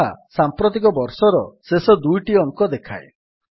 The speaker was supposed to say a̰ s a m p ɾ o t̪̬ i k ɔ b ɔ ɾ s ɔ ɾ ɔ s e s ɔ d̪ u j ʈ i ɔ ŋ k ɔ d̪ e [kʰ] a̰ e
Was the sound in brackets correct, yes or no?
yes